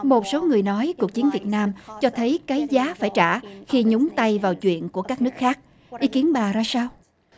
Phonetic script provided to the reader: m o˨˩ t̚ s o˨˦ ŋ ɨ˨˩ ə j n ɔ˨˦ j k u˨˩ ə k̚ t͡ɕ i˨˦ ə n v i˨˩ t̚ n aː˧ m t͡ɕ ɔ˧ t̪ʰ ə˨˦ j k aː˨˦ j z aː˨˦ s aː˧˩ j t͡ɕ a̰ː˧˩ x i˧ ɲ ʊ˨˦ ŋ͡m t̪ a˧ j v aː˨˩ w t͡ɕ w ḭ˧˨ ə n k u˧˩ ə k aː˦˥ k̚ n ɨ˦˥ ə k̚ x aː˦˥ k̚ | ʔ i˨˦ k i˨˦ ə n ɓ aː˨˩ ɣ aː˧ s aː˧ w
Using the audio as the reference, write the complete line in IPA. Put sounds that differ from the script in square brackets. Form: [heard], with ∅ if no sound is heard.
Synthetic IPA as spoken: m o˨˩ t̚ s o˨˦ ŋ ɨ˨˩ ə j n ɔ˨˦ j k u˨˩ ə k̚ t͡ɕ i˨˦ ə n v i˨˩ t̚ n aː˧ m t͡ɕ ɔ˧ t̪ʰ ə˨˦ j k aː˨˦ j z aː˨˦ [f] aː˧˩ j t͡ɕ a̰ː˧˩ x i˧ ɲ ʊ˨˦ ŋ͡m t̪ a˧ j v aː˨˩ w t͡ɕ w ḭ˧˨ ə n k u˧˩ ə k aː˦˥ k̚ n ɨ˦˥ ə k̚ x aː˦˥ k̚ | ʔ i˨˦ k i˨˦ ə n ɓ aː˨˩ [z] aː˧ s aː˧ w